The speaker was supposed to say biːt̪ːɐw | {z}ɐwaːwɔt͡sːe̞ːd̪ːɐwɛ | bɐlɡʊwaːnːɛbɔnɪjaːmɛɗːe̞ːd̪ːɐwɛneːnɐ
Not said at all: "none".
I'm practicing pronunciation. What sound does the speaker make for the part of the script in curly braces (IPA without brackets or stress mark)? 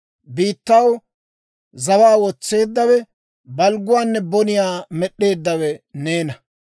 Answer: z